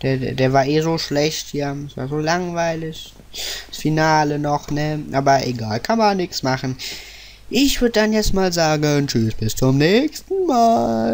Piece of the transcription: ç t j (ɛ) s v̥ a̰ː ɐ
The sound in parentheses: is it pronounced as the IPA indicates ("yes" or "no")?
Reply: no